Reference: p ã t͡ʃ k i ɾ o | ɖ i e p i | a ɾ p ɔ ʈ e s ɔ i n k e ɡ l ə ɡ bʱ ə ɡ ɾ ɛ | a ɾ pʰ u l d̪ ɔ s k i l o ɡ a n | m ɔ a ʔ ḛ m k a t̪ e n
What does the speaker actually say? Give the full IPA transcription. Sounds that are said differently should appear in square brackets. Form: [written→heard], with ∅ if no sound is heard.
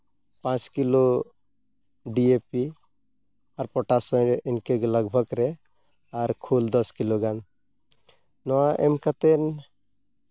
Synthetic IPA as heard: p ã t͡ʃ k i [ɾ→l] o | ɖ i e p i | a ɾ p ɔ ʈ [e→a] s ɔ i n k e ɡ l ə ɡ bʱ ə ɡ ɾ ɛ | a ɾ [pʰ→kʰ] u l d̪ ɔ s k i l o ɡ a n | [m→n] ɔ a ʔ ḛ m k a t̪ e n